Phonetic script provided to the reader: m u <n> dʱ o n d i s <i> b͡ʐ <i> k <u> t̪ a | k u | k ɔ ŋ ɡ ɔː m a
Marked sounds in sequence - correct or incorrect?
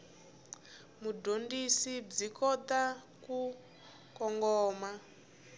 incorrect: none, correct, correct, incorrect: ɔ

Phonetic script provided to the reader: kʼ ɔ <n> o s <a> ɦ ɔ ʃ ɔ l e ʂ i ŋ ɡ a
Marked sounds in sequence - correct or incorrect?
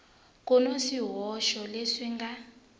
correct, incorrect: i

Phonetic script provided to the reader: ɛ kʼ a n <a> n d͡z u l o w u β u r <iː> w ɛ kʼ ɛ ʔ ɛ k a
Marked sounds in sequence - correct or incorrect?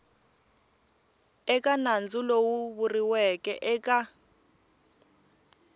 correct, incorrect: i

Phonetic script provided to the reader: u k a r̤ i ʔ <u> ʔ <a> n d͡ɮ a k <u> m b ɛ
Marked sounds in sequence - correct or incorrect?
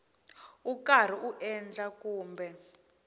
correct, incorrect: ɛ, incorrect: uː

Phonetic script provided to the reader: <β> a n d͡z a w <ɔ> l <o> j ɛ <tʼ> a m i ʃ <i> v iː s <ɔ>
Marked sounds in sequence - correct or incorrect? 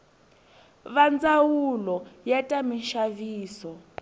correct, incorrect: u, incorrect: ɔ, correct, incorrect: a, correct

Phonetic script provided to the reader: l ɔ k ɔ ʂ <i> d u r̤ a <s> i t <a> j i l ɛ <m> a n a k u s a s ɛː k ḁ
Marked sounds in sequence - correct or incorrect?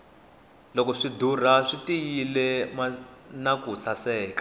correct, incorrect: ʂ, incorrect: i, correct

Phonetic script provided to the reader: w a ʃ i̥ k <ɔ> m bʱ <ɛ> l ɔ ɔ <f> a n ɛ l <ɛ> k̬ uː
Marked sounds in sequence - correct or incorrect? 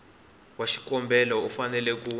correct, correct, correct, correct

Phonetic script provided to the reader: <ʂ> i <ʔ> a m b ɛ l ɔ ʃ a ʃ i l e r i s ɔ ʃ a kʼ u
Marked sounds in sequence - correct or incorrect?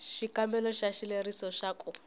incorrect: ʃ, incorrect: k

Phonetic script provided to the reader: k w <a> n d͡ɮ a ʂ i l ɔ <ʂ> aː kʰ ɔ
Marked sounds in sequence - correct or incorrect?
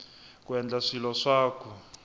incorrect: ɛ, correct

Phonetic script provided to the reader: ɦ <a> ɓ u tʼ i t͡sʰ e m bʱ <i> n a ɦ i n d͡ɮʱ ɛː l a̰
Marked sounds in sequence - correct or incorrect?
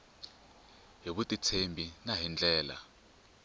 incorrect: i, correct

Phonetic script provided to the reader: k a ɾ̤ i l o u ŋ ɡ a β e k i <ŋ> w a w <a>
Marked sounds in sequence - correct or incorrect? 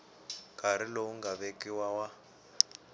incorrect: none, correct

